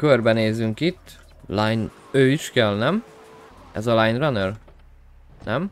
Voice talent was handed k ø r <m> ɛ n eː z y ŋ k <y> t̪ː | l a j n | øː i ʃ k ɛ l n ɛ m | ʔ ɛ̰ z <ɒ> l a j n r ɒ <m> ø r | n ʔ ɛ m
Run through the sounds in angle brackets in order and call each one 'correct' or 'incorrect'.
incorrect: b, incorrect: i, correct, incorrect: n

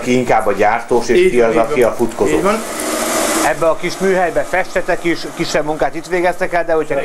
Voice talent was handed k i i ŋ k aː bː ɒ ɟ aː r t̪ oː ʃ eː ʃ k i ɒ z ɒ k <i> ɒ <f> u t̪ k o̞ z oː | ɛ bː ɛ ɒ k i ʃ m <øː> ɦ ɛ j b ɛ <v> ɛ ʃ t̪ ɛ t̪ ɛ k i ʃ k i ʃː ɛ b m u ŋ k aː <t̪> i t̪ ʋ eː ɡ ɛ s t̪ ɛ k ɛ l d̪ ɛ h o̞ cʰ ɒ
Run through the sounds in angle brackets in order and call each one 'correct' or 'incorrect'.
correct, correct, incorrect: yː, incorrect: f, correct

